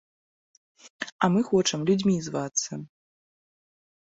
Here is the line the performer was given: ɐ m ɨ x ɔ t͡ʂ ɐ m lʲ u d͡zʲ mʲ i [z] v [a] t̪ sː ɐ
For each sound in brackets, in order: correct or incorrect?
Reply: correct, correct

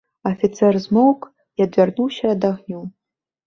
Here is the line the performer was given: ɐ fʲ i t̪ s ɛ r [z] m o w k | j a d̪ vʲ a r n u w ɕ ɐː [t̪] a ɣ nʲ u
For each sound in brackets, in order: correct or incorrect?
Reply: correct, incorrect

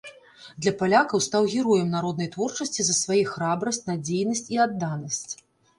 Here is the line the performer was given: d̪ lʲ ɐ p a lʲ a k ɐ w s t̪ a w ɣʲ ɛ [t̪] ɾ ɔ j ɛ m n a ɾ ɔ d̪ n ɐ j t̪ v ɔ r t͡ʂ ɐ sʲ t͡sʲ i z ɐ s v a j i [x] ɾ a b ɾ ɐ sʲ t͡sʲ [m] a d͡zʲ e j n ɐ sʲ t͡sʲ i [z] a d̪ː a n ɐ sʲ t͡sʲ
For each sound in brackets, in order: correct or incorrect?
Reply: incorrect, correct, incorrect, incorrect

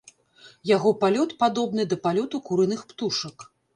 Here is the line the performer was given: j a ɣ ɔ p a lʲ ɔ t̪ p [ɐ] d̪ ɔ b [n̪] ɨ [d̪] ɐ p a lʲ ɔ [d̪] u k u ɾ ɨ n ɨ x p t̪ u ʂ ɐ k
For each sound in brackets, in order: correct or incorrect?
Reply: incorrect, correct, correct, incorrect

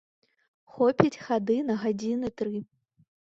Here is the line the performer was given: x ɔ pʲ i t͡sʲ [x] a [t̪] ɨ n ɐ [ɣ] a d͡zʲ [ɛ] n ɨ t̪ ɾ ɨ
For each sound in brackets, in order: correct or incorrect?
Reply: correct, incorrect, correct, incorrect

